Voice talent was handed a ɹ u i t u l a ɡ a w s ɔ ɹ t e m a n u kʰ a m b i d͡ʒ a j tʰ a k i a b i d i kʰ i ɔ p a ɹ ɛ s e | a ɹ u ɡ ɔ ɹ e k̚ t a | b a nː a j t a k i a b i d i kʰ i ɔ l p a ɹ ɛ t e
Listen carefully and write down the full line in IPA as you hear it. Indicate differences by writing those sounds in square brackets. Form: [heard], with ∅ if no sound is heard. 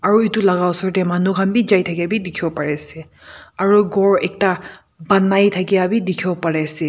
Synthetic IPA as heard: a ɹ u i t u l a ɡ a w s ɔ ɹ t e m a n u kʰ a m b i d͡ʒ a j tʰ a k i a b i d i kʰ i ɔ p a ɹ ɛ s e | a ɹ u ɡ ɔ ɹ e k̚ t a | b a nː a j [tʰ] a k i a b i d i kʰ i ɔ [∅] p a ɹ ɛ [s] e